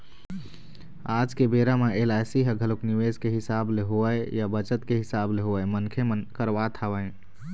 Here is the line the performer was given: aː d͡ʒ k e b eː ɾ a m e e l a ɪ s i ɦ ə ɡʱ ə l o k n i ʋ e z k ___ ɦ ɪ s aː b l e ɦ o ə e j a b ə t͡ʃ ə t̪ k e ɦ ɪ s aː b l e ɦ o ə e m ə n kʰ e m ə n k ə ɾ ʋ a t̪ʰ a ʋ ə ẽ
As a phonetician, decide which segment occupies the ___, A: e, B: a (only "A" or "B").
A